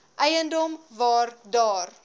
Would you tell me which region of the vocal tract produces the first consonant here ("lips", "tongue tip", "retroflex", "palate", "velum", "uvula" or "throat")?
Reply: throat